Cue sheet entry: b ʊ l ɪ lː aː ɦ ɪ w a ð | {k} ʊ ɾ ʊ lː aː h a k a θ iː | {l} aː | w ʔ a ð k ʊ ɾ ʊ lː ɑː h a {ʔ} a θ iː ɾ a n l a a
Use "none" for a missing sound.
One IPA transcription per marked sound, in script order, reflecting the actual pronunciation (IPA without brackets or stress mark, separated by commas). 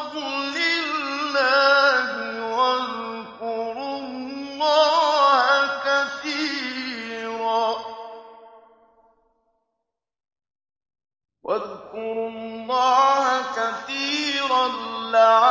k, ɾ, k